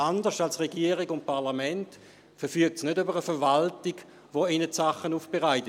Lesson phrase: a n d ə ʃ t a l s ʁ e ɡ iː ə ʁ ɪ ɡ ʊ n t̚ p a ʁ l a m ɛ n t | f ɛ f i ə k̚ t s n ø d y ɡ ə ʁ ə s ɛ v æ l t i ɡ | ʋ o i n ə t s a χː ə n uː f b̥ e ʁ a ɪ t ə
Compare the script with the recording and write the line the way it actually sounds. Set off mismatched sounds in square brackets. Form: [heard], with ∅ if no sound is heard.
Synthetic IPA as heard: a n d ə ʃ t a l s ʁ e ɡ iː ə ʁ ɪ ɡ ʊ n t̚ p a ʁ l a m ɛ n t | f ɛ f [y] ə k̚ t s n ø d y [b] ə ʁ ə [f] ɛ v [a] l t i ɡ | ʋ o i n ə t s a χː ə n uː f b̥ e ʁ a ɪ t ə